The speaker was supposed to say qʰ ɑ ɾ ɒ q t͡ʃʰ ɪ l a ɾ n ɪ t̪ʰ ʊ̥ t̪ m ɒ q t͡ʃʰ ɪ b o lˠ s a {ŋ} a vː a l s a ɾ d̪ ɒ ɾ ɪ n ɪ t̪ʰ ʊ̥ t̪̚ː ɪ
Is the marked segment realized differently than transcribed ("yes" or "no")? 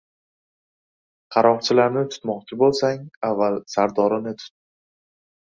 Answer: no